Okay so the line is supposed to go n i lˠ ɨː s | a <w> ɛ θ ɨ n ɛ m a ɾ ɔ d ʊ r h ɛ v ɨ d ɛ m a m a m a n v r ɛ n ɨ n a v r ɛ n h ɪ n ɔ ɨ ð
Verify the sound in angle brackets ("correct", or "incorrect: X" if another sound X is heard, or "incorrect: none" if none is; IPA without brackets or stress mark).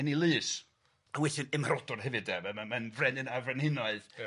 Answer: correct